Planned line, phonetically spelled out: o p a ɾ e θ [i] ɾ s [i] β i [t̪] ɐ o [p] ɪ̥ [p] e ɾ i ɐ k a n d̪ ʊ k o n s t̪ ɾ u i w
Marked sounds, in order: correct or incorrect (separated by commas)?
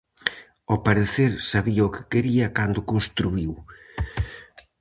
incorrect, incorrect, incorrect, incorrect, incorrect